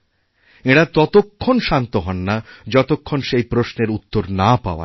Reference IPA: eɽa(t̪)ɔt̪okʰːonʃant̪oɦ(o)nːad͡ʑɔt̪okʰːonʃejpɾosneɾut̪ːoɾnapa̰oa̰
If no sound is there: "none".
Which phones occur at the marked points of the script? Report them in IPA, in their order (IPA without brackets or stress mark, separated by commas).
t̪, ɔ